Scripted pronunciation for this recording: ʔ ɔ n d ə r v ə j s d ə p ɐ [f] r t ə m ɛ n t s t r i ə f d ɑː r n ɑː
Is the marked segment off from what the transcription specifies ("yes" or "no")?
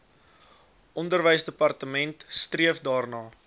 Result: yes